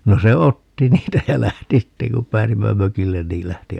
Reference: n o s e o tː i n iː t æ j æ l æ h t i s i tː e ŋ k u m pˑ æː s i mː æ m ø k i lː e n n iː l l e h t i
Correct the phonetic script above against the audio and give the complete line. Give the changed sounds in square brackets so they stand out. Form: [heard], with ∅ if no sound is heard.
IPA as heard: n o s e o tː i n iː t æ j æ l æ h t i s i tː e ŋ k u m pˑ æː s i mː æ m ø k i lː e n n iː l l [æ] h t i